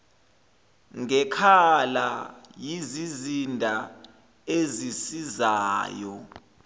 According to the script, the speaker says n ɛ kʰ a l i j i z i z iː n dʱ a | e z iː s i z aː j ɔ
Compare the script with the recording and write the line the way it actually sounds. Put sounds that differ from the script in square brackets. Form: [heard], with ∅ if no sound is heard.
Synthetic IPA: [ŋ] ɛ kʰ a l [a] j i z i z [i] n dʱ a | e z [i] s i z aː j ɔ